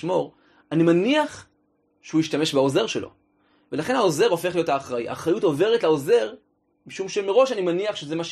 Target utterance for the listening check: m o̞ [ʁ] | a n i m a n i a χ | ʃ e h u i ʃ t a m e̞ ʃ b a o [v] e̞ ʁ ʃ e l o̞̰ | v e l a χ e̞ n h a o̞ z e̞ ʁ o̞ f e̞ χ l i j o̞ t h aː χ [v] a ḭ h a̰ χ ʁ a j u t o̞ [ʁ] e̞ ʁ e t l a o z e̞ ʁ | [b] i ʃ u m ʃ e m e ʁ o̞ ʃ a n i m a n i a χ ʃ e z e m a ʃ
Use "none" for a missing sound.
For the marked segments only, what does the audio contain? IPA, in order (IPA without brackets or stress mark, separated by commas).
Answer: ʁ, z, ʁ, v, m